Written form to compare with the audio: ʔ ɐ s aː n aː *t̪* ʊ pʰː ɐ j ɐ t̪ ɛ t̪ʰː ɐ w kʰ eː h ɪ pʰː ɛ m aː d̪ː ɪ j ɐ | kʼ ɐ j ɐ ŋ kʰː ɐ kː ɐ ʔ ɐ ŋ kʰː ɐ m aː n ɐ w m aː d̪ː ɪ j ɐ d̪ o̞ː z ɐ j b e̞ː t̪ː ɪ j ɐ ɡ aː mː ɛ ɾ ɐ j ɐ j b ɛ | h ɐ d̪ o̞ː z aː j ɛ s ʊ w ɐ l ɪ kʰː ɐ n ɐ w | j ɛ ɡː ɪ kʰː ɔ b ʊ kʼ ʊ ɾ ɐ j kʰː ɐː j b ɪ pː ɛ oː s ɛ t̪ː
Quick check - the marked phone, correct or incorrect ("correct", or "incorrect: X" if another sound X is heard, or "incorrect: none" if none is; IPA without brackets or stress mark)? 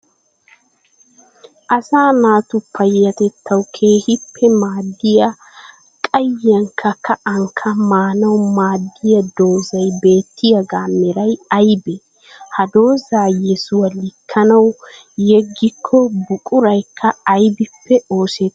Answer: correct